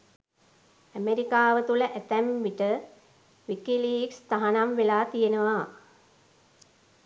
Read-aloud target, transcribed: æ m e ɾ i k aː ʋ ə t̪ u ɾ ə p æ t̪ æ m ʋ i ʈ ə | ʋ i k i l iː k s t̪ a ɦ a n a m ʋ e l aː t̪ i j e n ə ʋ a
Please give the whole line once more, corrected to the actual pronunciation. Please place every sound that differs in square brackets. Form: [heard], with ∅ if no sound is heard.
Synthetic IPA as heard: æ m e ɾ i k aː ʋ ə t̪ u [l] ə [ʔ] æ t̪ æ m ʋ i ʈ ə | ʋ i k i l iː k s t̪ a ɦ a n a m ʋ e l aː t̪ i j e n ə ʋ a